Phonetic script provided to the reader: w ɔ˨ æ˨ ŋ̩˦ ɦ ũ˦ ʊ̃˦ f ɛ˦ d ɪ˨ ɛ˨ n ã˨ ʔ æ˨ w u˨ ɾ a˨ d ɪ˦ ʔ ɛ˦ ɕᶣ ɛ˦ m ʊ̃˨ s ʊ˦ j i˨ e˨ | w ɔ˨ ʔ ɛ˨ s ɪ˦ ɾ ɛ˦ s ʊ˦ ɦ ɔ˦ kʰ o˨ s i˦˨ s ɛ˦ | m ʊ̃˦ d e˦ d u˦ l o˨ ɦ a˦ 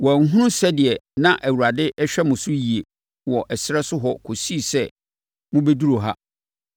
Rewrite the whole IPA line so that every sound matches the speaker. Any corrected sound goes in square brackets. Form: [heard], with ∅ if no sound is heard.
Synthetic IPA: w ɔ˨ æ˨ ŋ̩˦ ɦ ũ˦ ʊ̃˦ [s] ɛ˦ d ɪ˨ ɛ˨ n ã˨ ʔ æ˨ w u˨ ɾ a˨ d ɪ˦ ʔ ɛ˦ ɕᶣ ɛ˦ m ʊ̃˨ s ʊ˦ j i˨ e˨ | w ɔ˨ ʔ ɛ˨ s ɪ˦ ɾ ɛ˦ s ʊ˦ ɦ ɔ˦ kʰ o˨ s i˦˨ s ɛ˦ | m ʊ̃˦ [b] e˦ d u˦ [ɾ] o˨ ɦ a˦